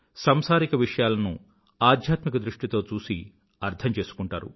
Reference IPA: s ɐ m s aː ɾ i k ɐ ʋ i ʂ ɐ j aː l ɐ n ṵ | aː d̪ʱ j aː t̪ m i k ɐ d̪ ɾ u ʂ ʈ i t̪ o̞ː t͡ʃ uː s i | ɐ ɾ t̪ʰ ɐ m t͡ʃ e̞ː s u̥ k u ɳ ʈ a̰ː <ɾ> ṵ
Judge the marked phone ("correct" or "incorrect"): correct